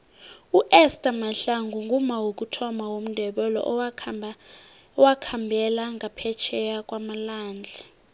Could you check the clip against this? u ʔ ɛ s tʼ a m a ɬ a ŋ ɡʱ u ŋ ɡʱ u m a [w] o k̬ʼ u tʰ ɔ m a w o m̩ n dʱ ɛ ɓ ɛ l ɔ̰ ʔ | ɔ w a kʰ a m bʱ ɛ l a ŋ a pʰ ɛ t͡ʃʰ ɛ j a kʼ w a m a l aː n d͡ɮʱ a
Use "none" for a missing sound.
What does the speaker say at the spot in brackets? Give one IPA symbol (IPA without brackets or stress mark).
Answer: w